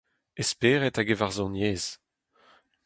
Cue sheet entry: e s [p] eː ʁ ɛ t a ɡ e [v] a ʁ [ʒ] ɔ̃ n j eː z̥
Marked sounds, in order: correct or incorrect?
correct, correct, incorrect: z

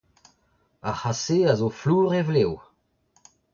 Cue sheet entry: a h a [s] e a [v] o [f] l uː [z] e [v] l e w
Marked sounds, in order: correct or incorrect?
correct, incorrect: z, correct, incorrect: ʁ, correct

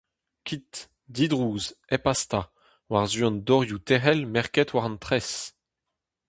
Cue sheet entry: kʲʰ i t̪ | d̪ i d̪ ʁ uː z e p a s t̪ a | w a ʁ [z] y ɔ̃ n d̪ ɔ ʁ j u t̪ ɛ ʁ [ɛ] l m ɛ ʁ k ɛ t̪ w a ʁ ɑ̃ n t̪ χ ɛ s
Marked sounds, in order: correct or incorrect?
correct, correct

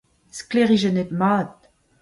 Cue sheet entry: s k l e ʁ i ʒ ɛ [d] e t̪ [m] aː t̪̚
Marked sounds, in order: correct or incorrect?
incorrect: n, correct

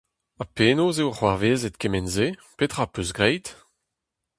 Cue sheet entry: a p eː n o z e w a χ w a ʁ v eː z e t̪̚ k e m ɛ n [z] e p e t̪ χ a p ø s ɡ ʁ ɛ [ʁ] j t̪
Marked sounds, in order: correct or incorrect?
correct, incorrect: none

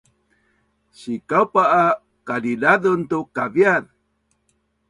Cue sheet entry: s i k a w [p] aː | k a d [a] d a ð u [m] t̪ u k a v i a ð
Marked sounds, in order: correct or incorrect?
correct, incorrect: i, incorrect: n

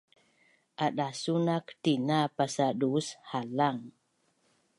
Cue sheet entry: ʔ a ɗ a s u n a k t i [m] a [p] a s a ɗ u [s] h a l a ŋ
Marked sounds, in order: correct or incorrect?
incorrect: n, correct, correct

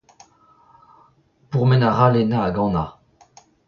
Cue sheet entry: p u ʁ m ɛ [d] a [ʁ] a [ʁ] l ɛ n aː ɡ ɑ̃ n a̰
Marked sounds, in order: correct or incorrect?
incorrect: n, correct, incorrect: none

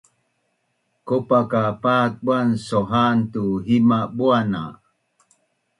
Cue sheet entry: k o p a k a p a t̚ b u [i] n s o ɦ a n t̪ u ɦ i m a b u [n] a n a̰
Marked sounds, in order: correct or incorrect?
incorrect: a, incorrect: none

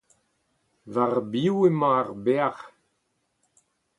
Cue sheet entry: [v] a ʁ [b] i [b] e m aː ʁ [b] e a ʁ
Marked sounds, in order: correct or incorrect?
correct, correct, incorrect: w, correct

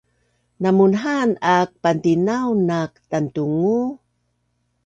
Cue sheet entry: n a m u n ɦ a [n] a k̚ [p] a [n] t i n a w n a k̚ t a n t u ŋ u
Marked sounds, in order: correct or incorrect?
correct, correct, correct

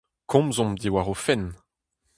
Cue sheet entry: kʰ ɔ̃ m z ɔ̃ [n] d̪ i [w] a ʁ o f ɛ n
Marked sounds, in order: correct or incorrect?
incorrect: m, correct

